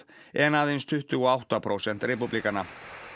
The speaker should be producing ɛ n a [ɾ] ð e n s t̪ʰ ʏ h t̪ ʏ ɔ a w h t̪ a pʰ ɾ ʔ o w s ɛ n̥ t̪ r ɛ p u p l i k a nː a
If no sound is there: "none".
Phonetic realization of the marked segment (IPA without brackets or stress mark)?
none